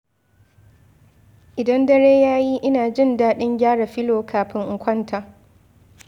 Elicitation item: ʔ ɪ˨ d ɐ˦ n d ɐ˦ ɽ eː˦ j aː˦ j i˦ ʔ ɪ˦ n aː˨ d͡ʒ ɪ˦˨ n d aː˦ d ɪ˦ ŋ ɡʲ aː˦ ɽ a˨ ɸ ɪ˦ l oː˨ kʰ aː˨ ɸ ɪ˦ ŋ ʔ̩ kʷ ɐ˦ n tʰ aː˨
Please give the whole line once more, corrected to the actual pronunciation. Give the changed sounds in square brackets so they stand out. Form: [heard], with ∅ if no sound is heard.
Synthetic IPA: ʔ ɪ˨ d ɐ˦ n d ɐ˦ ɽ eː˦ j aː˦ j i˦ ʔ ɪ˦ n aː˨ d͡ʒ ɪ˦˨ n d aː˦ [ɗ] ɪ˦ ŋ ɡʲ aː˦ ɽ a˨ ɸ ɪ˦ l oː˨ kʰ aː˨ ɸ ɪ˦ ŋ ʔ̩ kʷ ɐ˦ n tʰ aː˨